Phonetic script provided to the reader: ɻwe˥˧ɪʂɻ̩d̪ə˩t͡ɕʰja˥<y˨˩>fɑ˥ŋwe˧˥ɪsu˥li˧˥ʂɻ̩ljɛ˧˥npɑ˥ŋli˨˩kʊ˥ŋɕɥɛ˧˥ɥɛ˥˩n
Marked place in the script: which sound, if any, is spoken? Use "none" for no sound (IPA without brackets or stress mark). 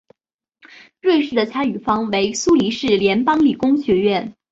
y˨˩